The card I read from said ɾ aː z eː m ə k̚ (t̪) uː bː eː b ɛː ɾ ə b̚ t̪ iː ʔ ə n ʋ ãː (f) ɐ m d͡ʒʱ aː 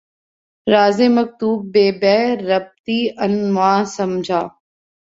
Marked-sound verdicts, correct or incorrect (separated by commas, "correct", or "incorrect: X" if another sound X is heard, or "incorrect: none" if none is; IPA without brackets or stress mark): correct, incorrect: s